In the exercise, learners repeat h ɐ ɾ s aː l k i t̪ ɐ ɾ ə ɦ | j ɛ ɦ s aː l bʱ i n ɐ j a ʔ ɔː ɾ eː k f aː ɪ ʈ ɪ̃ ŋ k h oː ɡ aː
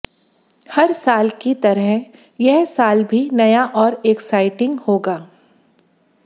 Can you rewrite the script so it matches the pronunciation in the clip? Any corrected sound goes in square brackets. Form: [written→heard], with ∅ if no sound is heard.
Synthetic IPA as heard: h ɐ ɾ s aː l k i t̪ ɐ ɾ ə ɦ | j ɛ ɦ s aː l bʱ i n ɐ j a ʔ ɔː ɾ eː k [f→s] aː ɪ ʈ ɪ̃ ŋ [k→ɡ] h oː ɡ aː

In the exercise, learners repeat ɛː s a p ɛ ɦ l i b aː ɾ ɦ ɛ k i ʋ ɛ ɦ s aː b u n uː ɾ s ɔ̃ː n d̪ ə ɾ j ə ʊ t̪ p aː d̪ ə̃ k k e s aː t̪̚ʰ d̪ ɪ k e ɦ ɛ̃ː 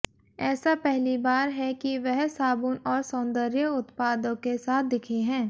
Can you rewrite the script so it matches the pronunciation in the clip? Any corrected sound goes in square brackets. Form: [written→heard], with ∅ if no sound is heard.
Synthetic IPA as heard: ɛː s a p ɛ ɦ l i b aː ɾ ɦ ɛ k i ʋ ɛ ɦ s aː b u n [uː→ɔː] ɾ s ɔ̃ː n d̪ ə ɾ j ə ʊ t̪ p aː d̪ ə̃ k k e s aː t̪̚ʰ d̪ ɪ [k→kʰ] e ɦ ɛ̃ː

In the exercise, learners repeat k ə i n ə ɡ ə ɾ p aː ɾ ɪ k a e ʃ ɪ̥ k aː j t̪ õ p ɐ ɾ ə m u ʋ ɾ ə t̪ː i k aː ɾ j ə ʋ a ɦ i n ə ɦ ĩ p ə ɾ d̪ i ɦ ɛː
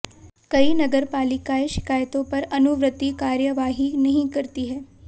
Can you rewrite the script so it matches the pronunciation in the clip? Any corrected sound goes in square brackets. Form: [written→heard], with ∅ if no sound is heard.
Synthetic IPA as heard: k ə i n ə ɡ ə ɾ p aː [ɾ→l] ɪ k a e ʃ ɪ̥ k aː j t̪ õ p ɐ ɾ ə [m→n] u ʋ ɾ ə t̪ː i k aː ɾ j ə ʋ a ɦ i n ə ɦ ĩ [p→k] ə ɾ [d̪→t̪] i ɦ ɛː

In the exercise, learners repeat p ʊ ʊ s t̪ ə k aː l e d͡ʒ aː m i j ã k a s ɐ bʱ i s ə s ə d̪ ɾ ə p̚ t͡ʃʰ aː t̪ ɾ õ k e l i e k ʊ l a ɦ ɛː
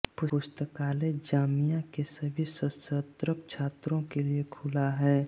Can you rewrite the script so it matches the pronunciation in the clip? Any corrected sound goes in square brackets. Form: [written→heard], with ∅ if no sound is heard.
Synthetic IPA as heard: p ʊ ʊ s t̪ ə k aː l e d͡ʒ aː m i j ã k [a→e] s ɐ bʱ i s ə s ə [d̪→t̪] ɾ ə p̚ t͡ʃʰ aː t̪ ɾ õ k e l i e [k→kʰ] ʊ l a ɦ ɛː

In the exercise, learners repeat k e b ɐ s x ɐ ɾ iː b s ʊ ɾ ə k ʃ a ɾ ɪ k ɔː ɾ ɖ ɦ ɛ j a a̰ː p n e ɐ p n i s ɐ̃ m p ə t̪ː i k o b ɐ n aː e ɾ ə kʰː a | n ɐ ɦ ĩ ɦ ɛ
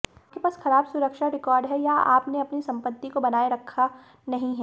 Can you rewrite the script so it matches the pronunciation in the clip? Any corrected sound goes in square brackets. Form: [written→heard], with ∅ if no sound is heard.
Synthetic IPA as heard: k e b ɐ s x ɐ ɾ [iː→aː] b s ʊ ɾ ə k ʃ a ɾ ɪ k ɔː ɾ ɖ ɦ ɛ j a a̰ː p n e ɐ p n i s ɐ̃ m p ə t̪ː i k o b ɐ n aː e ɾ [ə→ɐ] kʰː a | n ɐ ɦ ĩ ɦ ɛ

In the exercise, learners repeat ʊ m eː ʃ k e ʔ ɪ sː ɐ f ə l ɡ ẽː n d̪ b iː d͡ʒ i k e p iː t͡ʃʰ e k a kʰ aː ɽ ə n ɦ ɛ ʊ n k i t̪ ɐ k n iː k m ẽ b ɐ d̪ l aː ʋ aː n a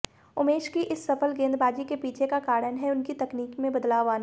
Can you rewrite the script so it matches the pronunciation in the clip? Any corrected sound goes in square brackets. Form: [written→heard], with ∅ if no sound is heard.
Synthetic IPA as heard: ʊ m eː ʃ k [e→i] ʔ ɪ sː ɐ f ə l ɡ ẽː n d̪ b [iː→aː] d͡ʒ i k e p iː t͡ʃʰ e k a [kʰ→k] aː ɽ ə n ɦ ɛ ʊ n k i t̪ ɐ k n iː k m ẽ b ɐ d̪ l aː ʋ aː n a

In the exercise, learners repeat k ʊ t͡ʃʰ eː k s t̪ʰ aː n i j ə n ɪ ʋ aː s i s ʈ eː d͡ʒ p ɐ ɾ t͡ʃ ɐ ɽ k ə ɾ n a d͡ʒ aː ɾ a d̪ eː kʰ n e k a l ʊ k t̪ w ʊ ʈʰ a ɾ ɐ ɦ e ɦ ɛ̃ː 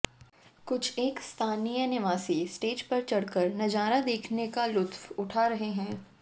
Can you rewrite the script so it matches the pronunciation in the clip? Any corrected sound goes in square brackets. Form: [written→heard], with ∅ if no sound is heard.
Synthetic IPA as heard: k ʊ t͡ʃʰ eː k s t̪ʰ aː n i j ə n ɪ ʋ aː s i s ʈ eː d͡ʒ p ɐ ɾ t͡ʃ ɐ ɽ k ə ɾ n [a→ɐ] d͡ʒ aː ɾ a d̪ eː kʰ n e k a l ʊ [k→∅] t̪ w ʊ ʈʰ a ɾ ɐ ɦ e ɦ ɛ̃ː

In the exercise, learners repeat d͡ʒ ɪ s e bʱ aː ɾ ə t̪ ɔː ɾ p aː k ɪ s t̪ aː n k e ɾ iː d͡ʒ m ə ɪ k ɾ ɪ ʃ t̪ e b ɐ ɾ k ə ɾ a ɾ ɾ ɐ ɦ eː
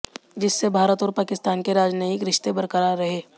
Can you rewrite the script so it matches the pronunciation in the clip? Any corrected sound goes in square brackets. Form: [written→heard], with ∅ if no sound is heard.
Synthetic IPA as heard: d͡ʒ ɪ [s→sː] e bʱ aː ɾ ə t̪ ɔː ɾ p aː k ɪ s t̪ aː n k e ɾ [iː→aː] d͡ʒ [m→n] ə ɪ k ɾ ɪ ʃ t̪ e b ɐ ɾ k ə ɾ a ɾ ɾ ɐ ɦ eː

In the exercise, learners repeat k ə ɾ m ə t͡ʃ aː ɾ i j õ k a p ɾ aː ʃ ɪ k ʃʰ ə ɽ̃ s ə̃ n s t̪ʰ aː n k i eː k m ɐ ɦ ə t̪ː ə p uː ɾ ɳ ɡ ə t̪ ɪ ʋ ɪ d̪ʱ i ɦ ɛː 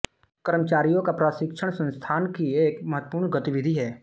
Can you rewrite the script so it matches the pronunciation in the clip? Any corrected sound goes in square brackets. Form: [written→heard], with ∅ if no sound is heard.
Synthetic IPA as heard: k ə ɾ m ə t͡ʃ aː ɾ i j õ k a p ɾ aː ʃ ɪ k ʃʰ ə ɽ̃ s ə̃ n s t̪ʰ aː n k i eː k m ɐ ɦ ə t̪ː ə p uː ɾ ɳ ɡ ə t̪ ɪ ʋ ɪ d̪ʱ i ɦ ɛː

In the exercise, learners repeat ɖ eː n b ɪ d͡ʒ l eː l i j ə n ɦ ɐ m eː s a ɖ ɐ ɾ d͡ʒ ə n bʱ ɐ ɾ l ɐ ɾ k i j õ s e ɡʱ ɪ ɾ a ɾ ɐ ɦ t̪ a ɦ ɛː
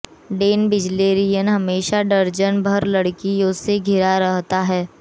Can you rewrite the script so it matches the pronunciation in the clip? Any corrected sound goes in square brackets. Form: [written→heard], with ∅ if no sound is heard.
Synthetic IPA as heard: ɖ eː n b ɪ d͡ʒ l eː [l→ɾ] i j ə n ɦ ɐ m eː [s→ʃ] a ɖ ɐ ɾ d͡ʒ ə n bʱ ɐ ɾ l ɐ [ɾ→ɽ] k i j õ s e ɡʱ ɪ ɾ a ɾ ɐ ɦ t̪ a ɦ ɛː

